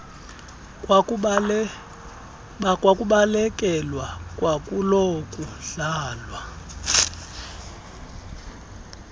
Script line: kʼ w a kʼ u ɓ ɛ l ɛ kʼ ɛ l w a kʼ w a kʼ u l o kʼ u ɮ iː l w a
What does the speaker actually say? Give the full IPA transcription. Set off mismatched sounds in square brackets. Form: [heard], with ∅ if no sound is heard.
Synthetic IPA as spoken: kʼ w a kʼ u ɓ [a] l ɛ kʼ ɛ l w a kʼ w a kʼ u l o kʼ u ɮ [aː] l w a